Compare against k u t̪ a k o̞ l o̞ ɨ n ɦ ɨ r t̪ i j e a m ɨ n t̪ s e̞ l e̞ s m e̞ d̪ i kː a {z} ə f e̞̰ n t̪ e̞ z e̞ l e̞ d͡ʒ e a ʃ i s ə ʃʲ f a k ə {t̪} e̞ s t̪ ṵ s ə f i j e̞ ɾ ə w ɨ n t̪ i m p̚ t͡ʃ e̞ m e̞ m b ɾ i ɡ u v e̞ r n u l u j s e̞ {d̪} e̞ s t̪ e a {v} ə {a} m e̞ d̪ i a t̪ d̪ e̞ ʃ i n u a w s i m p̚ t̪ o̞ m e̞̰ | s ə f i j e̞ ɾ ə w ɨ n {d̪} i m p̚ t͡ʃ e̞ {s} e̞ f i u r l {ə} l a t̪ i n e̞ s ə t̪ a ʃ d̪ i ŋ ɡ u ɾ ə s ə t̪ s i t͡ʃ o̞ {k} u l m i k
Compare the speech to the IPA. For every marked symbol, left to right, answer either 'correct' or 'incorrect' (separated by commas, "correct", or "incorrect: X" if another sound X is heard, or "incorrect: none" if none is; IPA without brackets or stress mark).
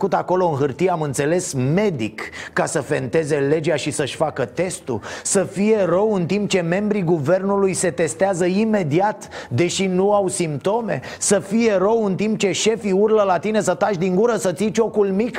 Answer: incorrect: s, correct, incorrect: t̪, incorrect: z, incorrect: i, incorrect: t̪, incorrect: ʃ, correct, correct